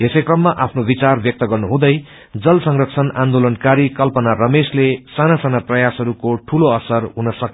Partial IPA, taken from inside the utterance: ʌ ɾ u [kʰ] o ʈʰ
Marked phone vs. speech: incorrect: k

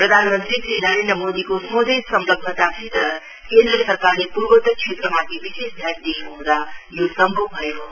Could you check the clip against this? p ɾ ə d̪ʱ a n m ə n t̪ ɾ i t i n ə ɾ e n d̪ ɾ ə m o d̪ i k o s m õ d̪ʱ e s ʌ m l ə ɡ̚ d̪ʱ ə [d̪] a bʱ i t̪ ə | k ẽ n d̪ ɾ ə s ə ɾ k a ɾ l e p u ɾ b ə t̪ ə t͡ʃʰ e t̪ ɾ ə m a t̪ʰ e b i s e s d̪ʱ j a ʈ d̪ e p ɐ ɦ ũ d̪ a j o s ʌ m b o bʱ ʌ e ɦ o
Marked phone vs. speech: incorrect: t̪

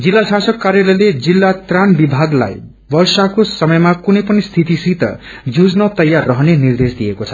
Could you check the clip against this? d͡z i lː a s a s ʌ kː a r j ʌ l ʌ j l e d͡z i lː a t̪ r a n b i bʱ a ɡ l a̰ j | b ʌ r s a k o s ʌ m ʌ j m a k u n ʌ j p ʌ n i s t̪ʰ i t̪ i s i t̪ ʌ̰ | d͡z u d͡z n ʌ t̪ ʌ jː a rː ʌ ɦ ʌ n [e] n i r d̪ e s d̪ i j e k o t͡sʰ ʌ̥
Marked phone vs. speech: correct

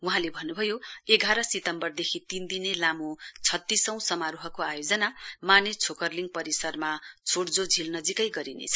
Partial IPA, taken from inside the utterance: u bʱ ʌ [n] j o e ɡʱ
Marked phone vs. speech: incorrect: none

